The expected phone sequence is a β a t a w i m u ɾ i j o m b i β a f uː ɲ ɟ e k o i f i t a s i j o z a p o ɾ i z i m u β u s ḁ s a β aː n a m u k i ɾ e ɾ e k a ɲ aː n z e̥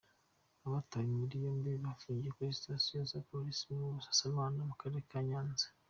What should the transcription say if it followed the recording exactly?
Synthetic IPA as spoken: a β a t a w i m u ɾ i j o m b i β a f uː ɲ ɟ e k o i s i t a s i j o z a p o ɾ i s i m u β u s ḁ s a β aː n a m u k a ɾ e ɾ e k a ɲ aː n z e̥